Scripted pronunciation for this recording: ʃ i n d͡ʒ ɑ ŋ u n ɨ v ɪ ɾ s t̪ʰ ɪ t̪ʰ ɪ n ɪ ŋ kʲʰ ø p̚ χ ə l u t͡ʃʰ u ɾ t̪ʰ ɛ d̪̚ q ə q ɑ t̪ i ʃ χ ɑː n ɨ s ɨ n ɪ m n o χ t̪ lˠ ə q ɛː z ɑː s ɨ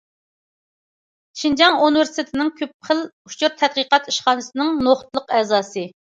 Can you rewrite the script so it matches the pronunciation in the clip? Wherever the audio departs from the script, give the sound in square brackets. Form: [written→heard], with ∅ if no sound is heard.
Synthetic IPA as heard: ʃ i n d͡ʒ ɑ ŋ u n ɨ v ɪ ɾ s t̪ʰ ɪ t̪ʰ ɪ n ɪ ŋ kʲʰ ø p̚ χ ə l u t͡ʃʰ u ɾ t̪ʰ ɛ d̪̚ q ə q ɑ t̪ i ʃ χ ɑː n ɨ s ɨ n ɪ [m→ŋ] n o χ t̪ lˠ ə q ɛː z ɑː s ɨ